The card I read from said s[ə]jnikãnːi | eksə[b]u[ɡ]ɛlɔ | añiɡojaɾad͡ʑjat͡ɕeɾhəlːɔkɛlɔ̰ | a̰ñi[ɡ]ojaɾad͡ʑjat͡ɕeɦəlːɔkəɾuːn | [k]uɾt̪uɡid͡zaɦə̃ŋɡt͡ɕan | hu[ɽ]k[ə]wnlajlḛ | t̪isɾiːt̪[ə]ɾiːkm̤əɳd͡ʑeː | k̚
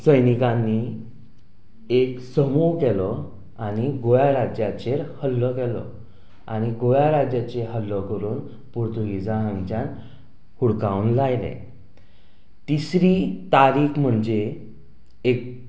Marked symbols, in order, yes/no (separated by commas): yes, no, no, yes, no, yes, no, no